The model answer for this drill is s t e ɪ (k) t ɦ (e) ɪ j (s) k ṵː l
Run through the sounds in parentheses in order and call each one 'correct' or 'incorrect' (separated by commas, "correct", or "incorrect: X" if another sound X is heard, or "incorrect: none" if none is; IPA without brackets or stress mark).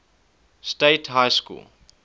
incorrect: none, incorrect: a, correct